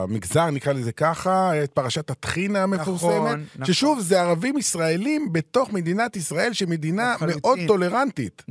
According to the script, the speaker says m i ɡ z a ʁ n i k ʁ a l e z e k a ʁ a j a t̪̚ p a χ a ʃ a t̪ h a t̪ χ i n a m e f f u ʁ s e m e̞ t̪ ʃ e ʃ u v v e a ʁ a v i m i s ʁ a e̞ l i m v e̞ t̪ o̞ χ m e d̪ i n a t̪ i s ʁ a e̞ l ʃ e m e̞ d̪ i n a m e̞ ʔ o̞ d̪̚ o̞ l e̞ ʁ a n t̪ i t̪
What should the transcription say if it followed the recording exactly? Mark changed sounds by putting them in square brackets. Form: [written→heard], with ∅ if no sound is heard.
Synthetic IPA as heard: m i ɡ z a ʁ n i k ʁ a l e z e k a [ʁ→χ] a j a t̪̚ p a [χ→ʁ] a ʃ a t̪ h a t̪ χ i n a m e f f u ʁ s e m e̞ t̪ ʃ e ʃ u v [v→z] e a ʁ a v i m i s ʁ a e̞ l i m [v→b] e̞ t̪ o̞ χ m e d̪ i n a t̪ i s ʁ a e̞ l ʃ e m e̞ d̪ i n a m e̞ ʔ o̞ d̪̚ o̞ l e̞ ʁ a n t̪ i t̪